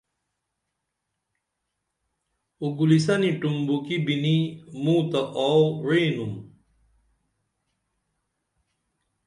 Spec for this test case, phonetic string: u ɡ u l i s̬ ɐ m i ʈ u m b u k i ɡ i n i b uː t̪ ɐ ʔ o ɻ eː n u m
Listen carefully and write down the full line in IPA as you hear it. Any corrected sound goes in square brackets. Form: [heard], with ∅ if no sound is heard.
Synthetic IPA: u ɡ u l i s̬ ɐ [n] i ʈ u m b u k i [b] i n i [m] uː t̪ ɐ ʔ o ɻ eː n u m